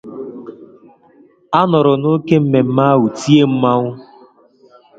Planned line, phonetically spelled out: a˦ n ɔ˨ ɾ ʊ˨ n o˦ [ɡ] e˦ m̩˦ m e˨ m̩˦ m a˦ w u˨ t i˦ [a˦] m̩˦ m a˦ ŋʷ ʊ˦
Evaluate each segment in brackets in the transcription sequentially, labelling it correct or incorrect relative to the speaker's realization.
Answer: incorrect: k, incorrect: e˦

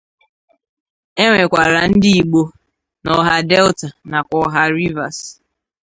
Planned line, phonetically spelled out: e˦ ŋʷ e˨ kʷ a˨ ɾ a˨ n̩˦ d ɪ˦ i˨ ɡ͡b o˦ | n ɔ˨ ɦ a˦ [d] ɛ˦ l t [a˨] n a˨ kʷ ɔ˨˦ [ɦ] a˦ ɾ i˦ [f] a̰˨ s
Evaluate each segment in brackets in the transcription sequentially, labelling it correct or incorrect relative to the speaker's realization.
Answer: correct, correct, correct, incorrect: v

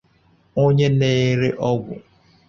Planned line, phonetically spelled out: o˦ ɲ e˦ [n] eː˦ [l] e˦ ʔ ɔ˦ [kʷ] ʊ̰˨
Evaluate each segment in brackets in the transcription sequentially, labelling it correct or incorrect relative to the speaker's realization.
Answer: correct, incorrect: ɾ, incorrect: ɡʷ

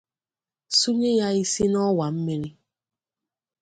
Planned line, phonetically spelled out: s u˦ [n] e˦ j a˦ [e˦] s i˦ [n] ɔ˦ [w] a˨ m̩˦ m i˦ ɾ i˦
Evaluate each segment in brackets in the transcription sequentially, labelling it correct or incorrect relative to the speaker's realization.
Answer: incorrect: ɲ, incorrect: i˦, correct, correct

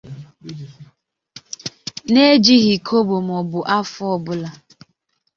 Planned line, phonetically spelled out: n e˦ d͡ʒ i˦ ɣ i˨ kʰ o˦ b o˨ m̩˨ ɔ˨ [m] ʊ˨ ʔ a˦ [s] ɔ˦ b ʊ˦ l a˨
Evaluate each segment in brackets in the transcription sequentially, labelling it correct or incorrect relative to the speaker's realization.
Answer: incorrect: b, incorrect: f

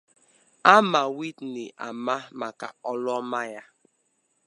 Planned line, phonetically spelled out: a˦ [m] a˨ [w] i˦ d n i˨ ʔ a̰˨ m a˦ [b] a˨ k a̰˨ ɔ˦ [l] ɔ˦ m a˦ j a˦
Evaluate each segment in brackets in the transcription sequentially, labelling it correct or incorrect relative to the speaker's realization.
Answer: correct, correct, incorrect: m, correct

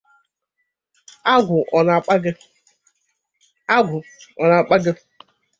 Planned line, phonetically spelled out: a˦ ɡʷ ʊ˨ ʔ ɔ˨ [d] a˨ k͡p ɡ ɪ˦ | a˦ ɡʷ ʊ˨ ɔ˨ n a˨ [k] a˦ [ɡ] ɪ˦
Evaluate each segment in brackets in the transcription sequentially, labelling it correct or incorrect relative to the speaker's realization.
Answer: incorrect: n, incorrect: k͡p, correct

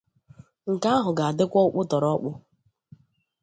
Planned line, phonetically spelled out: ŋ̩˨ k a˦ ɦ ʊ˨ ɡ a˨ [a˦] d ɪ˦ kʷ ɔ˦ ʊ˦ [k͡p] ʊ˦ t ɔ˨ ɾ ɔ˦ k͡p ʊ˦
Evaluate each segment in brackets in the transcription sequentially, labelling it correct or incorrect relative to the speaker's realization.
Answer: incorrect: a˨, correct

